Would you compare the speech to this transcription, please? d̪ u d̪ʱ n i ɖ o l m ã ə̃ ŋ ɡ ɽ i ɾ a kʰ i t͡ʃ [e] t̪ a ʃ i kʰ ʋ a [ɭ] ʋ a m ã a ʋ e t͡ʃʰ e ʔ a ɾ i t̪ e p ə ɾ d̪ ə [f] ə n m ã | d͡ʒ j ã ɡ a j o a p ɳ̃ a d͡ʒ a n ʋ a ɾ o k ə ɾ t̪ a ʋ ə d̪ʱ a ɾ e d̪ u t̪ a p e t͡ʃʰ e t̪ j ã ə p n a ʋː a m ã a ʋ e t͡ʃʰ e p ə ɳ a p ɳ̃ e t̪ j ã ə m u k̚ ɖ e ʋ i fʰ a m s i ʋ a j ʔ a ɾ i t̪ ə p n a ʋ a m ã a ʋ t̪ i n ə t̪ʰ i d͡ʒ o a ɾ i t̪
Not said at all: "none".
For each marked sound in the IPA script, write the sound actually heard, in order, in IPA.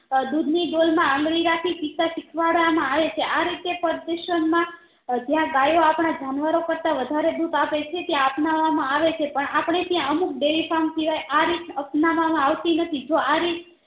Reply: i, ɽ, ʃ

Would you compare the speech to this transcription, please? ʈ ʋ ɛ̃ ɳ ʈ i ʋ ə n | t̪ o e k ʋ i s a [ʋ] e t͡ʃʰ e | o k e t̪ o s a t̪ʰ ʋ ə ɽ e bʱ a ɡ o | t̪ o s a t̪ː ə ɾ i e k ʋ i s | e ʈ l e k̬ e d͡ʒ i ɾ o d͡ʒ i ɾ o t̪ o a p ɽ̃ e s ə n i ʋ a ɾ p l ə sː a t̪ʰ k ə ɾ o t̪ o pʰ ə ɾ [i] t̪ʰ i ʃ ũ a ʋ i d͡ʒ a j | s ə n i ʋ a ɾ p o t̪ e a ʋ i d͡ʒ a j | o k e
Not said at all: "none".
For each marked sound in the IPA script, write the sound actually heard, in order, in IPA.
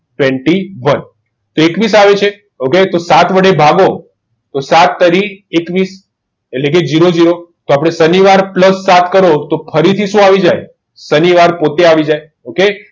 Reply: ʋ, i

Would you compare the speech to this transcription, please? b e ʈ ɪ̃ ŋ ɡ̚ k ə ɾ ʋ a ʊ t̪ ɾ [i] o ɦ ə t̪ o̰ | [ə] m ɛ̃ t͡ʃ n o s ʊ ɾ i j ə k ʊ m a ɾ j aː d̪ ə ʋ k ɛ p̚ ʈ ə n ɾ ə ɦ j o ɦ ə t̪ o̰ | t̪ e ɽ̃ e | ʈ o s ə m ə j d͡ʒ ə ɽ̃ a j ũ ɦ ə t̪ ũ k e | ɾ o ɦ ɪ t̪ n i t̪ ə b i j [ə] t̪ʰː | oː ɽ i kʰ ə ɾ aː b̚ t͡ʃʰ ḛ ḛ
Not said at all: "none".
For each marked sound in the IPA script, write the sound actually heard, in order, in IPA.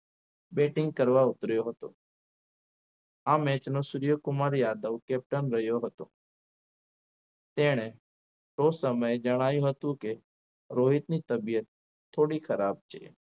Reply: j, a, ə

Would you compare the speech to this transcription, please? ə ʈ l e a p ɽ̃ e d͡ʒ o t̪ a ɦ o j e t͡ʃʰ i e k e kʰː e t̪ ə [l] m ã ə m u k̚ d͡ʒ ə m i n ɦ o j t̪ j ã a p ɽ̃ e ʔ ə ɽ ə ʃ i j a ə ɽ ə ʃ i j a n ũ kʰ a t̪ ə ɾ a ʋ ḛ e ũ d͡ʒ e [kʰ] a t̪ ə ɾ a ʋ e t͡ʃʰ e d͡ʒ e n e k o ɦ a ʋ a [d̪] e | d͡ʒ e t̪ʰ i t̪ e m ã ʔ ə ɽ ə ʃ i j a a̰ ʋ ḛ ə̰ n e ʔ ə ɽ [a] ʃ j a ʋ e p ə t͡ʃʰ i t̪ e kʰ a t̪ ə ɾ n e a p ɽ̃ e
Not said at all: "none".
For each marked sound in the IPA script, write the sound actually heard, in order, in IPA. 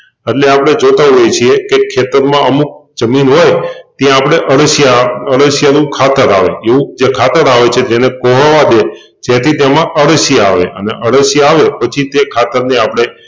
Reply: ɾ, kʰ, d̪, ə

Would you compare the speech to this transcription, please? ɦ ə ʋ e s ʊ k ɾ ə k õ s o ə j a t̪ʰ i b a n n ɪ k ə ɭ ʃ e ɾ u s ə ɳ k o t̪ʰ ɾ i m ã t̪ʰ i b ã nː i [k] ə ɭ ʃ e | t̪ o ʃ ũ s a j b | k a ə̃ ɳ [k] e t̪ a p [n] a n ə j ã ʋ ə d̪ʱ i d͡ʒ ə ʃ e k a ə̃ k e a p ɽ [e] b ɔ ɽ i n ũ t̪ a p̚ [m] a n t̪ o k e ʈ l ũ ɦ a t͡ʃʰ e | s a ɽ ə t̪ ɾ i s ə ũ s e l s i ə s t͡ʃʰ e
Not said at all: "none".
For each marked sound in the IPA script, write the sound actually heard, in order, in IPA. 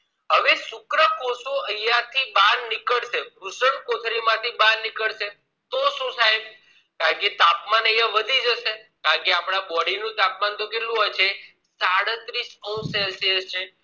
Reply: k, k, m, a, m

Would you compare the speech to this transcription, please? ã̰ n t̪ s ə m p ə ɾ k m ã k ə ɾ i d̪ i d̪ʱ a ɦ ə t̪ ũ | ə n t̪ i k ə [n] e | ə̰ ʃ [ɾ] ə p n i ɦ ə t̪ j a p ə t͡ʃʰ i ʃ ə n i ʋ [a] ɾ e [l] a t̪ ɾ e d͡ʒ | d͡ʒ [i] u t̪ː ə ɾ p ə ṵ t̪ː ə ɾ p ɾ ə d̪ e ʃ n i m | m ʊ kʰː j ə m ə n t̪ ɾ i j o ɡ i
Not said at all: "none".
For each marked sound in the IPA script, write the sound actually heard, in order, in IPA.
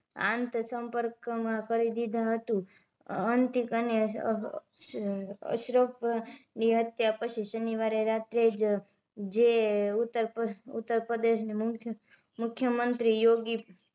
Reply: n, ɾ, a, ɾ, e

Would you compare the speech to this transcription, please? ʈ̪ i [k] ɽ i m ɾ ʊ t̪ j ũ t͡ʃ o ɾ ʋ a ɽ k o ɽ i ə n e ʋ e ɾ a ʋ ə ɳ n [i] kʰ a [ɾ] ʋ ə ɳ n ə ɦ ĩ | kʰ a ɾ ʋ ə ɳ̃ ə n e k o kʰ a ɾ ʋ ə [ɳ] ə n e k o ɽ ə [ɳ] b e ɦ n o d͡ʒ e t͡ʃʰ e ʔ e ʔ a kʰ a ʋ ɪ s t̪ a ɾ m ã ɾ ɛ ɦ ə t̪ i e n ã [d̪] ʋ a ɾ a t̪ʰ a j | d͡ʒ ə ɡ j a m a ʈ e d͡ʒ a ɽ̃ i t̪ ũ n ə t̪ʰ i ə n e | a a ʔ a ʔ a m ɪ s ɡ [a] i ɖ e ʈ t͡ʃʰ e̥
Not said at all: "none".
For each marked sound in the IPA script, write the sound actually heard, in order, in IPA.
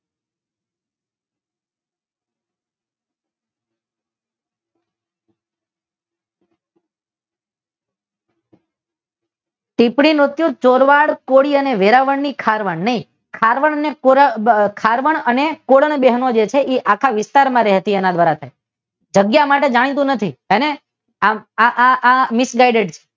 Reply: p, i, ɾ, ɳ, ɳ, d̪, a

